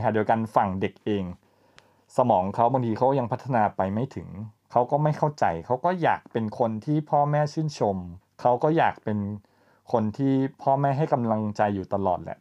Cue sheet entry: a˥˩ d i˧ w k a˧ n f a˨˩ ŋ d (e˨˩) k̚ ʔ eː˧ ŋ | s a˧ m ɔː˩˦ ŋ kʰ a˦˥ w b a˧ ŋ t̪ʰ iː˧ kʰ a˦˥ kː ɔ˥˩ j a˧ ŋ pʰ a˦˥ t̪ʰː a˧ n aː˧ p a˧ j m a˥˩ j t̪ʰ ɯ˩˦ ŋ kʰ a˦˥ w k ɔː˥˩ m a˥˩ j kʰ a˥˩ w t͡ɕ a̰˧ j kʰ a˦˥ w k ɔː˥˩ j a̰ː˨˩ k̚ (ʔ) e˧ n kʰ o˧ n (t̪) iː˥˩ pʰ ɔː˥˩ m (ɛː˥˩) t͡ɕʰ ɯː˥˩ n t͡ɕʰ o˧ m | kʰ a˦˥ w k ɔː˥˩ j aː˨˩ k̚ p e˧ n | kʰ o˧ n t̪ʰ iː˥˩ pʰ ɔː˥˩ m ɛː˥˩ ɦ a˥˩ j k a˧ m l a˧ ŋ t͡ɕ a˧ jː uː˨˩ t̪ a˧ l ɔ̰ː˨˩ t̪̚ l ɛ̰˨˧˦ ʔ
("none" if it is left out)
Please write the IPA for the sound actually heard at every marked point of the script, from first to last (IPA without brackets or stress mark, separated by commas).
e˨˩, p, t̪ʰ, ɛː˥˩